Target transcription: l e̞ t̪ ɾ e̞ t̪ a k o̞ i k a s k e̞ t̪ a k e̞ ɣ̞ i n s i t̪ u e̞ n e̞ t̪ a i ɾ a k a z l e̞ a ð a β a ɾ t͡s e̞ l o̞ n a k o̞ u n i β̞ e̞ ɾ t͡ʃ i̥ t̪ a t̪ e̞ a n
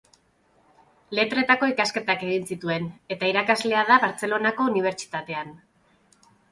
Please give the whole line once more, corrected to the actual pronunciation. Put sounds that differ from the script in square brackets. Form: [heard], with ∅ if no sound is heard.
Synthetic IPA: l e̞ t̪ ɾ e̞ t̪ a k o̞ i k a s k e̞ t̪ a k e̞ ɣ̞ i n s i t̪ u e̞ n e̞ t̪ a i ɾ a k a z l e̞ a ð a β a ɾ t͡s e̞ l o̞ n a k o̞ u n i β̞ e̞ ɾ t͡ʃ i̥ t̪ a t̪ e̞ a n